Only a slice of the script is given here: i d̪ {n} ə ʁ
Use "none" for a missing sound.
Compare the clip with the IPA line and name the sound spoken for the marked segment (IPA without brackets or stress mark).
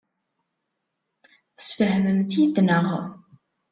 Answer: n